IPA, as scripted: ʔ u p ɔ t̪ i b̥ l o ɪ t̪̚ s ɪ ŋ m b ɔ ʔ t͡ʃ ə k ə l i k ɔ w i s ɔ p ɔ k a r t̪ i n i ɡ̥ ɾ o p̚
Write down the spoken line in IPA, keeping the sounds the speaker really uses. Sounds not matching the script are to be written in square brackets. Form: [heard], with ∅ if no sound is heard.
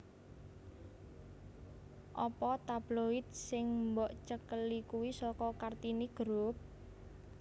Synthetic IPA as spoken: ʔ [ɔ] p ɔ t̪ [a] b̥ l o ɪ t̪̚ s ɪ ŋ m b ɔ ʔ t͡ʃ ə k ə l i k [u] w i s ɔ [k] ɔ k a r t̪ i n i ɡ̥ ɾ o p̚